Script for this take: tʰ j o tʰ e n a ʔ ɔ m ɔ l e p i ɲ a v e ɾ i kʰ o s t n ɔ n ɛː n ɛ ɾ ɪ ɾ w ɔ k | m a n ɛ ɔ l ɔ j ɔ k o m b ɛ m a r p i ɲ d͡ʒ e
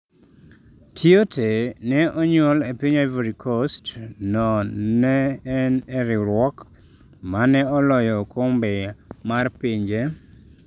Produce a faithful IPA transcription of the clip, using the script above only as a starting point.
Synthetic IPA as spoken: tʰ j o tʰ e n ɛ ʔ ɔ ɲ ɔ l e p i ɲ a v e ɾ i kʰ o s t n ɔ n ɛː n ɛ ɾ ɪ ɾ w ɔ k | m a n ɛ ɔ l ɔ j ɔ k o m b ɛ m a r p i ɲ d͡ʒ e